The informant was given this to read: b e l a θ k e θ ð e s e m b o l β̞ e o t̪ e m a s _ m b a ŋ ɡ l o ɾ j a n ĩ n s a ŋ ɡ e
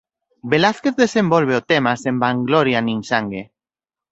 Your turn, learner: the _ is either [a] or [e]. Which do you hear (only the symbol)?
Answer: e